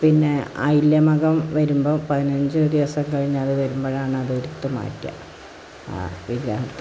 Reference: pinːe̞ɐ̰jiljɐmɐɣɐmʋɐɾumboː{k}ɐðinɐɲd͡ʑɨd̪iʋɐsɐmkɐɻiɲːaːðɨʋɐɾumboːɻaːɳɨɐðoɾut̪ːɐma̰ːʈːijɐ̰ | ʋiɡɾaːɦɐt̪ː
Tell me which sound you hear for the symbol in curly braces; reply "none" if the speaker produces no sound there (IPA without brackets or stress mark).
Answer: p